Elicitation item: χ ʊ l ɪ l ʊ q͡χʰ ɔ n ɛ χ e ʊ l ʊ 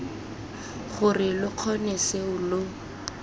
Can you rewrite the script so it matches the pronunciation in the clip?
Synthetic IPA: χ ʊ r ɪ l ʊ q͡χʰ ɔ n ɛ s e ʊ l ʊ